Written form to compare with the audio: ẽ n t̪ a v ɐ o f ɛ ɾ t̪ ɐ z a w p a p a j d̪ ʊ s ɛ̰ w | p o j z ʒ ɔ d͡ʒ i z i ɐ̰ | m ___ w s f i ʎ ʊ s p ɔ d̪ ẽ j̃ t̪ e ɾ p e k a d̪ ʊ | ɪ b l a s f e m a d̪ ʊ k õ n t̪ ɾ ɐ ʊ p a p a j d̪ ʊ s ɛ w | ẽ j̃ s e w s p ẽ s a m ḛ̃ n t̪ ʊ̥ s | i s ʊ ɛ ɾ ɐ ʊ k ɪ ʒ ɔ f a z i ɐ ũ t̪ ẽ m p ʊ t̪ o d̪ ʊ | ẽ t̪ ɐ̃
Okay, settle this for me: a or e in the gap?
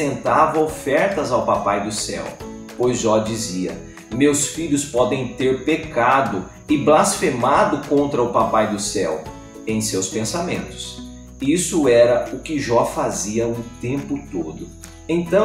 e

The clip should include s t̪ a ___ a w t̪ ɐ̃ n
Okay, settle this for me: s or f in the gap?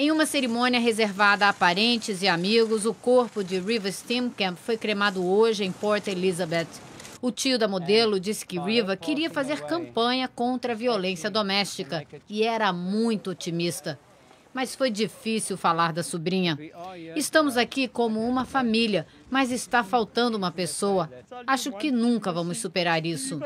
f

